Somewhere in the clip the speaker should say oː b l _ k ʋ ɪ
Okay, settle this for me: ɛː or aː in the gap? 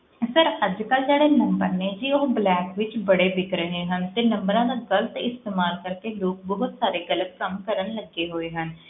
ɛː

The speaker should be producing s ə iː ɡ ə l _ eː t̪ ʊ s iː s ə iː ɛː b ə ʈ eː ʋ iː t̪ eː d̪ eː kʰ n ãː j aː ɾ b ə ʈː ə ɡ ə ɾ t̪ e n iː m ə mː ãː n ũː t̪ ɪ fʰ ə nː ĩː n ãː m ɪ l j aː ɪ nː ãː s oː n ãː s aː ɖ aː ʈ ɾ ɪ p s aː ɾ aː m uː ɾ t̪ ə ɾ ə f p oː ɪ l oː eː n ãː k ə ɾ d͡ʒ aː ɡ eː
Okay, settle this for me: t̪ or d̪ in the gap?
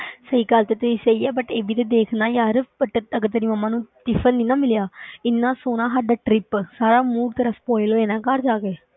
t̪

